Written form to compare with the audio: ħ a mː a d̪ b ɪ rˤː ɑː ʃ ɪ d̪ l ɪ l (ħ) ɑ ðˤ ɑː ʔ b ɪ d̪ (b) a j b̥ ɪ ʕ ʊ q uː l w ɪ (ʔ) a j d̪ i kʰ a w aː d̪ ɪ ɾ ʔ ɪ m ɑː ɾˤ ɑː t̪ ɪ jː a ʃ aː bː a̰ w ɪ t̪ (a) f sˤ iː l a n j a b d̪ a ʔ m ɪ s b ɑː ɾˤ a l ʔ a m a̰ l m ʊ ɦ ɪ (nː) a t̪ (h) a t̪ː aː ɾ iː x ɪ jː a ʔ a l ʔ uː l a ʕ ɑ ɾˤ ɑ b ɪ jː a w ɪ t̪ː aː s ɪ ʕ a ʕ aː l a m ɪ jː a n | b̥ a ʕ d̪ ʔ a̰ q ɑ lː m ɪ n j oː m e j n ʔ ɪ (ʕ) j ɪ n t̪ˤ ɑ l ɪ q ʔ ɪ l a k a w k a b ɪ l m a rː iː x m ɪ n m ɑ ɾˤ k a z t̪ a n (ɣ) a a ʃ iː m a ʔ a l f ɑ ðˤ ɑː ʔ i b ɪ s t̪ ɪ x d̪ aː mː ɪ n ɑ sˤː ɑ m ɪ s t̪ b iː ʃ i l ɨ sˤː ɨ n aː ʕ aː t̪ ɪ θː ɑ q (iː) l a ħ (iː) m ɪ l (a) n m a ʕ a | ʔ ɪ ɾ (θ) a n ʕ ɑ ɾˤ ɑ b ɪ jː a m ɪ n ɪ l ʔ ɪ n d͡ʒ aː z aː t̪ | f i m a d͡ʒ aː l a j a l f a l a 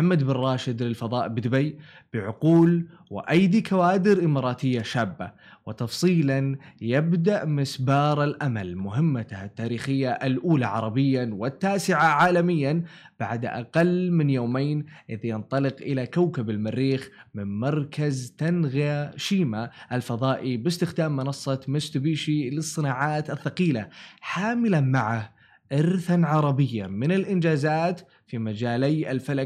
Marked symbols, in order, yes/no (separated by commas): no, yes, yes, no, no, yes, no, yes, yes, no, yes, yes